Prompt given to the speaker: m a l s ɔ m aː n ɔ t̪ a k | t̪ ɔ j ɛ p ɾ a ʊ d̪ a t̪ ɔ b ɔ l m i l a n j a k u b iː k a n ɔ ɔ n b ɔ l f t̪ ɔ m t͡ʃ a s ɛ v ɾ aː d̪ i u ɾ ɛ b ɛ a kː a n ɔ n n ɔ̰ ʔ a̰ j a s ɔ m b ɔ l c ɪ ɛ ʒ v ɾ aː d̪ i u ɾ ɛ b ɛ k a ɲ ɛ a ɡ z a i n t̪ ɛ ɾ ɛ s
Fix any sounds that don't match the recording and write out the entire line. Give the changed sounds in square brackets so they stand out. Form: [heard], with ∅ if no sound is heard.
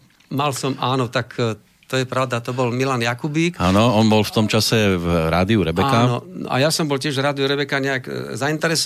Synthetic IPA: m a l s ɔ m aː n ɔ t̪ a k | t̪ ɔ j ɛ p ɾ a ʊ d̪ a t̪ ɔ b ɔ l m i l a n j a k u b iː k a n ɔ ɔ n b ɔ l f t̪ ɔ m t͡ʃ a s ɛ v ɾ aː d̪ i u ɾ ɛ b ɛ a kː a n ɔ n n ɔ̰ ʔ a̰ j a s ɔ m b ɔ l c ɪ ɛ ʒ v ɾ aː d̪ i u ɾ ɛ b ɛ k a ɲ ɛ a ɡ z a i n t̪ ɛ ɾ ɛ s